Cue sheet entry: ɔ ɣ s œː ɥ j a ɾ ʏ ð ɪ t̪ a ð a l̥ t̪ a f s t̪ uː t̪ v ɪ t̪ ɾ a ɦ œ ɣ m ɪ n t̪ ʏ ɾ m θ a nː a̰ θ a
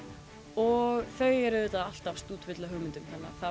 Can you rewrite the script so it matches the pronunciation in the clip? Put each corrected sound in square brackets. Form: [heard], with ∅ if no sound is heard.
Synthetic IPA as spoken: ɔ ɣ [θ] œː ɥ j [ɛ] ɾ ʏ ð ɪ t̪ a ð a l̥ t̪ a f s t̪ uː t̪ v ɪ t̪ [l] a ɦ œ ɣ m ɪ n t̪ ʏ [∅] m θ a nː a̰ θ a